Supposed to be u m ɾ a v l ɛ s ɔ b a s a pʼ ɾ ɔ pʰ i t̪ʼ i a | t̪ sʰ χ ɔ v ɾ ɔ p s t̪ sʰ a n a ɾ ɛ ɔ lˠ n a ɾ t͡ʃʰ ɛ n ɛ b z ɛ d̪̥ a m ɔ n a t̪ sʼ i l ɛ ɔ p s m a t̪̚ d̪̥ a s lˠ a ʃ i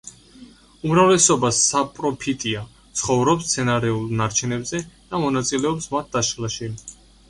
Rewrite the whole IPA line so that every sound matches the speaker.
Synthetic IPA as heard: u m ɾ a v l ɛ s ɔ b a s a pʼ ɾ ɔ pʰ i t̪ʼ i a | t̪ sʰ χ ɔ v ɾ ɔ p s t̪ sʰ ɛ n a ɾ ɛ u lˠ n a ɾ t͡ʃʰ ɛ n ɛ b z ɛ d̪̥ a m ɔ n a t̪ sʼ i l ɛ ɔ p s m a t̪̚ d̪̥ a ʃ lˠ a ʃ i